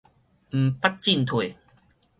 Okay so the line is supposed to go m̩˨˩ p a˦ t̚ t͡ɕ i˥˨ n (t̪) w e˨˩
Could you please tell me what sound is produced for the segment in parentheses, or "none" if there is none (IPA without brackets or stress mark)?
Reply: t̪ʰ